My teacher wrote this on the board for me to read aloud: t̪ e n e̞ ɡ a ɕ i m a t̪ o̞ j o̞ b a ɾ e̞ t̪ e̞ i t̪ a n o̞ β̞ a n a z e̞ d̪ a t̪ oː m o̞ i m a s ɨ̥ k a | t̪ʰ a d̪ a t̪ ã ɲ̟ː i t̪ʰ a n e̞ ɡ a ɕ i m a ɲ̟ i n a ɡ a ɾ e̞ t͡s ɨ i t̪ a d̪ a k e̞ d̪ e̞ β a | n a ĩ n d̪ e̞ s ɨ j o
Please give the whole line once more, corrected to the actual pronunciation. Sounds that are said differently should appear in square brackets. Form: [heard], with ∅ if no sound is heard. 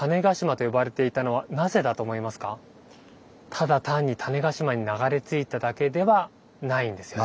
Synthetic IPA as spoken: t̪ [a] n e̞ ɡ a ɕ i m a t̪ o̞ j o̞ b a ɾ e̞ t̪ e̞ i t̪ a n o̞ β̞ a n a z e̞ d̪ a t̪ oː m o̞ i m a s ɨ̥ k a | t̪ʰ a d̪ a t̪ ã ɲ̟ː i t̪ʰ a n e̞ ɡ a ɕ i m a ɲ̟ i n a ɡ a ɾ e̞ t͡s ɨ i t̪ a d̪ a k e̞ d̪ e̞ β a | n a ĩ n d̪ e̞ s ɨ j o